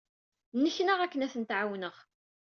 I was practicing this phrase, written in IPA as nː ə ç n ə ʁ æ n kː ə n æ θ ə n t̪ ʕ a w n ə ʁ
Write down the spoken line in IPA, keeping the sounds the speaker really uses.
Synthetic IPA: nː ə ç n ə ʁ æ kː ə n æ θ ə n t̪ ʕ a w n ə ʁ